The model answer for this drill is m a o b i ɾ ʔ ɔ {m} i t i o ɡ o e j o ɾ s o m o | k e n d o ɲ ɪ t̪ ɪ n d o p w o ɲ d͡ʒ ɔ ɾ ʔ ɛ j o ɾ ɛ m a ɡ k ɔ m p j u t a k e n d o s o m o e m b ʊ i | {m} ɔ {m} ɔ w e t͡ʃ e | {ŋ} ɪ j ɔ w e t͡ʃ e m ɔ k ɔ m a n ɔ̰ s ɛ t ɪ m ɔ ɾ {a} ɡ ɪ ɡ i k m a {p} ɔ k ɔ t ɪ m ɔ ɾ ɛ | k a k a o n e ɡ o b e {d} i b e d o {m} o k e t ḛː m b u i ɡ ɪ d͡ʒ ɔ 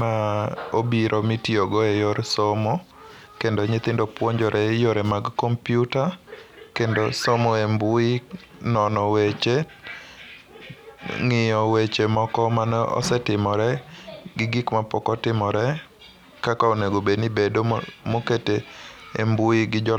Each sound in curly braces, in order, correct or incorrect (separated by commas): correct, incorrect, incorrect, correct, incorrect, correct, incorrect, correct